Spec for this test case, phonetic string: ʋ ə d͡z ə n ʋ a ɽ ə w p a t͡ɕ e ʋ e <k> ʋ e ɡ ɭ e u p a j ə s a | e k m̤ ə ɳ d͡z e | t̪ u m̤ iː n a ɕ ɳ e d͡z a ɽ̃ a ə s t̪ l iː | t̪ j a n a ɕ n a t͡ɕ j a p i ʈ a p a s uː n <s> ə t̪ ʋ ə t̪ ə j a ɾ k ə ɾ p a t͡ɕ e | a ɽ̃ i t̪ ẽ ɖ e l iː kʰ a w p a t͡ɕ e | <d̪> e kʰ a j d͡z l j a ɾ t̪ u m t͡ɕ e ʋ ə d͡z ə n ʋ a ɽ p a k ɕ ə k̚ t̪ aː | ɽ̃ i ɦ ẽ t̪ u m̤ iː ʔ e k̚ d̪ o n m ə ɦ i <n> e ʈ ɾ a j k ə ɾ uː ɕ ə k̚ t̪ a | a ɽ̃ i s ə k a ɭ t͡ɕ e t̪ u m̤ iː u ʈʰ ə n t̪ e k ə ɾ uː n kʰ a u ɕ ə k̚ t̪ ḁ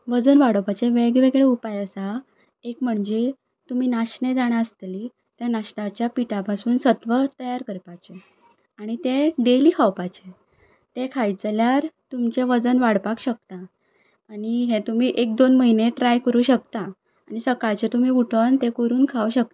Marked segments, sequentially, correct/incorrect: incorrect: ɡ, correct, incorrect: t̪, correct

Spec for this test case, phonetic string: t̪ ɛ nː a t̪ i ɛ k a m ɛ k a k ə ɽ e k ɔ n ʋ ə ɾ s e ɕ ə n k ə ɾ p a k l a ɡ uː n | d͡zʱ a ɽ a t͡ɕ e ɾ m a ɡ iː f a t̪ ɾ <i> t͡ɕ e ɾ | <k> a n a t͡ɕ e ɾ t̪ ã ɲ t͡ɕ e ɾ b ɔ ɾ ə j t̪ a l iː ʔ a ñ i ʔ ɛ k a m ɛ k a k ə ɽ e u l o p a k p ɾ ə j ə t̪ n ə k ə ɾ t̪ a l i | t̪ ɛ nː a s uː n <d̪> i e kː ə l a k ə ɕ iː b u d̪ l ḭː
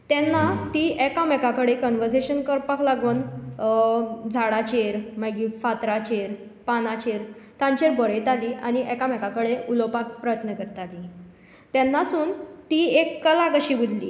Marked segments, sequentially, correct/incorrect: incorrect: a, incorrect: p, incorrect: t̪

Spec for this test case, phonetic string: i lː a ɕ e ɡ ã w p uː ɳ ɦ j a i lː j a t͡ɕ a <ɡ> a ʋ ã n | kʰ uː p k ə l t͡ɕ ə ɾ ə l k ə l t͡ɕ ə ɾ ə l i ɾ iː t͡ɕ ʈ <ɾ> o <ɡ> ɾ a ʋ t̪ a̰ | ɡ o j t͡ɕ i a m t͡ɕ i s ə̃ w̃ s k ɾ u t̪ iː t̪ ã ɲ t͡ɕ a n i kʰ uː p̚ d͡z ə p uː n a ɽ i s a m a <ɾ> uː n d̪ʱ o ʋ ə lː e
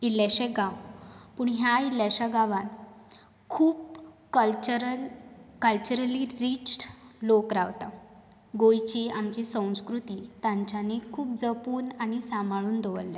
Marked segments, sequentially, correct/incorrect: correct, incorrect: l, incorrect: k, incorrect: ɭ

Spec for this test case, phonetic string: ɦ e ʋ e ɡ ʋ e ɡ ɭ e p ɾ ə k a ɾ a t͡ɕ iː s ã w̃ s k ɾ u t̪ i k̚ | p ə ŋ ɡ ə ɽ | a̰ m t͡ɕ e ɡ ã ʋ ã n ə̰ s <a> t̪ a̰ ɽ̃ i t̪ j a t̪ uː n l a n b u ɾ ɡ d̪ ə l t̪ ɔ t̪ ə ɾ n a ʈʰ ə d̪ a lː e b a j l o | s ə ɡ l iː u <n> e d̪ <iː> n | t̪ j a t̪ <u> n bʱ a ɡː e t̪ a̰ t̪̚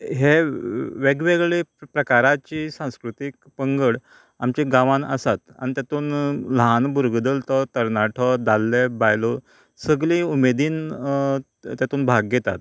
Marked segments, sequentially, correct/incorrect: correct, incorrect: m, correct, incorrect: uː

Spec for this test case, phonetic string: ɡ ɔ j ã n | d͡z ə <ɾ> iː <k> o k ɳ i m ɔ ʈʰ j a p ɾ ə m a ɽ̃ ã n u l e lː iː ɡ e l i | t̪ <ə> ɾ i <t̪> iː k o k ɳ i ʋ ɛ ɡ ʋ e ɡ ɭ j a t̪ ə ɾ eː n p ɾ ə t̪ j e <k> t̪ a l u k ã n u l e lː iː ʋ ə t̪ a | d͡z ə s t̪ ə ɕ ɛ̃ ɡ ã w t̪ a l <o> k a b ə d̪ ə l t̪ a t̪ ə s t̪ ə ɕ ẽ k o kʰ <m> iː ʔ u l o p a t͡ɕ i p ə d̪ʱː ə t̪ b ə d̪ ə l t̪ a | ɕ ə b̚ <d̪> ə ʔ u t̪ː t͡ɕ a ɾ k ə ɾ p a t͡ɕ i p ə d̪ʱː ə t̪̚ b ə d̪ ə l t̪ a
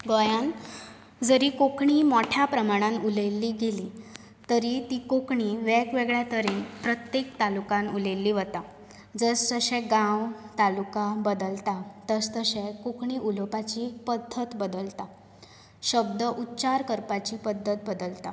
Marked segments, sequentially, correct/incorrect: correct, correct, correct, correct, correct, incorrect: u, incorrect: ɳ, correct

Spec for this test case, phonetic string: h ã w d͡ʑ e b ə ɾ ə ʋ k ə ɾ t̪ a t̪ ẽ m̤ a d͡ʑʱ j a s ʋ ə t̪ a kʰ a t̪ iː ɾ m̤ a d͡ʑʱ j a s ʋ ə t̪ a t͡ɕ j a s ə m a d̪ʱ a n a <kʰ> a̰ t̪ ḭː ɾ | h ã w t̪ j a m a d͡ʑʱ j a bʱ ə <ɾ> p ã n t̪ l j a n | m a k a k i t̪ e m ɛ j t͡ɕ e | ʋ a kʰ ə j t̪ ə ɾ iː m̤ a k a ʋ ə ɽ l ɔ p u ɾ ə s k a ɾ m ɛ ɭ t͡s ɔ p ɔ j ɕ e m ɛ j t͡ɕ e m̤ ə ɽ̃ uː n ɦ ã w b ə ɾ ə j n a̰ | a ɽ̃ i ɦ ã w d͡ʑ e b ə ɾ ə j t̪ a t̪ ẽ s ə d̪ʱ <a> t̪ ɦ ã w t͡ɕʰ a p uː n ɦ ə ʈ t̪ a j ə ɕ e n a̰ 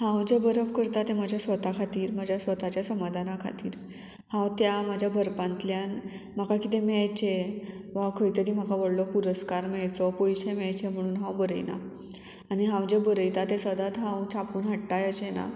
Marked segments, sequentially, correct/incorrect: correct, correct, correct

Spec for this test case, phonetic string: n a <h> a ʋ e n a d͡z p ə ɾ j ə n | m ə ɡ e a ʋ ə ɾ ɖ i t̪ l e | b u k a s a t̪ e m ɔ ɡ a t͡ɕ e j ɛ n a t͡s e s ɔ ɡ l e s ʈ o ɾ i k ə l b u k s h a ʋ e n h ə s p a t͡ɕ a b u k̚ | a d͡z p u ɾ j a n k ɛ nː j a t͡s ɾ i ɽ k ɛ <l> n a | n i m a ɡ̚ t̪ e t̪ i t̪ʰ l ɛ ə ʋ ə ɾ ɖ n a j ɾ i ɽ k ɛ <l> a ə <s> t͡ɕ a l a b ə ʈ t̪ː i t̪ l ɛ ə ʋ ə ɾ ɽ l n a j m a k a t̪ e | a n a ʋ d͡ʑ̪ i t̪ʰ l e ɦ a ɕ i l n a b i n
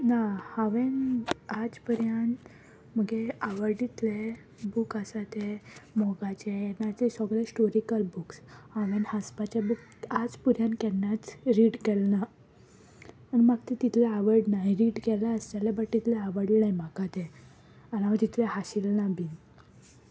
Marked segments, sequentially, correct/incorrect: correct, correct, correct, correct

